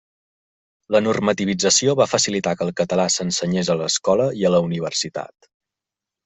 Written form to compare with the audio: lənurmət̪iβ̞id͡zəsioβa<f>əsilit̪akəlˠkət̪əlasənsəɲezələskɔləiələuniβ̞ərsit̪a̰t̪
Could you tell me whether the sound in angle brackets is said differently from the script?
no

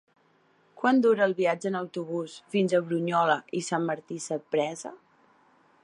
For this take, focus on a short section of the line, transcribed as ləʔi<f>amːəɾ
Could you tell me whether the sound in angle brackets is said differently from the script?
yes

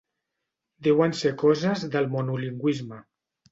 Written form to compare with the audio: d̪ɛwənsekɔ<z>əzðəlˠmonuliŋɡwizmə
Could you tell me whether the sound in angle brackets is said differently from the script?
no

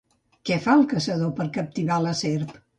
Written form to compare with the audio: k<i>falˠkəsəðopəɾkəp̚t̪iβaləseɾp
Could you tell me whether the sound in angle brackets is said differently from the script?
yes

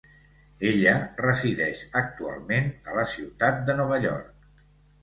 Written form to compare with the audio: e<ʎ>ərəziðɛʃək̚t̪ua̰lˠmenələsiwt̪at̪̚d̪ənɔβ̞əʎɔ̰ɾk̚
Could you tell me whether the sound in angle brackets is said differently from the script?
no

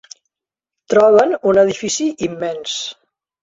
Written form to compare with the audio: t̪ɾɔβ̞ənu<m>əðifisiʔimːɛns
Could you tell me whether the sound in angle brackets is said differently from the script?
yes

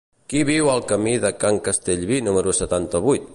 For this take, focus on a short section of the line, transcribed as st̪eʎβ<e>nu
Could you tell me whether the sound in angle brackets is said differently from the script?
yes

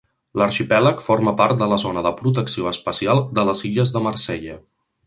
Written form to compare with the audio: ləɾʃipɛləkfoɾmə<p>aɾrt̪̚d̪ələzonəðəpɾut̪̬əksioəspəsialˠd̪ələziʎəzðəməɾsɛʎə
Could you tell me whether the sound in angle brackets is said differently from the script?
no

